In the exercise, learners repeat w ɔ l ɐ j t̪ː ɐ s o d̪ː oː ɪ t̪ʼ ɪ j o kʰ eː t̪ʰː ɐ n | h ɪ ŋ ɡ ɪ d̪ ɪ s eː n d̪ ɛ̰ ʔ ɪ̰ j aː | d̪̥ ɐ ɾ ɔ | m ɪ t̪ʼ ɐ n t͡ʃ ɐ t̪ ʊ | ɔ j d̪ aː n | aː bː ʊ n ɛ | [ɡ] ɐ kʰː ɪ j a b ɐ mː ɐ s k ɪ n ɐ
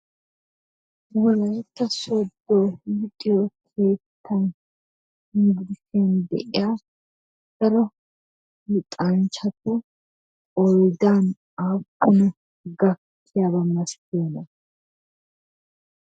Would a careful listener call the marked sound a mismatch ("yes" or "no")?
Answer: no